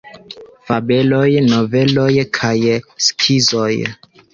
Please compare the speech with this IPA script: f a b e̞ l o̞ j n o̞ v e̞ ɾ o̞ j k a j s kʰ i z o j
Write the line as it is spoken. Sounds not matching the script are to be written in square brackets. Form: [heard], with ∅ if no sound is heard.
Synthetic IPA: f a b e̞ l o̞ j n o̞ v e̞ [l] o̞ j [kʰ] a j s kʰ i z o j